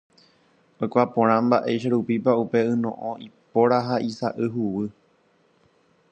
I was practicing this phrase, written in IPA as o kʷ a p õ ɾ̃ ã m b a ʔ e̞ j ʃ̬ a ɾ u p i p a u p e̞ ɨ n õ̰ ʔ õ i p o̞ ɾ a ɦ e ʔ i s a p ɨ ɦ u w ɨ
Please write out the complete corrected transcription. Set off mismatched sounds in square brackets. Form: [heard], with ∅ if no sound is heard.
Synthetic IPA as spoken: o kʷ a p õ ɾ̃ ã m b a ʔ e̞ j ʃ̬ a ɾ u p i p a u p e̞ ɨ n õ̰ ʔ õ i p o̞ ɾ a ɦ [a] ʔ i s a [ʔ] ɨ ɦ u w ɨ